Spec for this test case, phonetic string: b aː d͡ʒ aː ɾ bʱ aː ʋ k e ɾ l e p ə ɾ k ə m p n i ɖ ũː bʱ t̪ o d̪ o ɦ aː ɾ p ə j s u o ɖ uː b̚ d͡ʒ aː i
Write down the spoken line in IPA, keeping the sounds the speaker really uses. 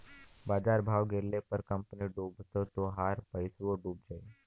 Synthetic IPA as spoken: b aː d͡ʒ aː ɾ bʱ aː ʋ ɡ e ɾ l e p ə ɾ k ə m p n i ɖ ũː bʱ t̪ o t̪ o ɦ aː ɾ p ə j s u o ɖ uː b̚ d͡ʒ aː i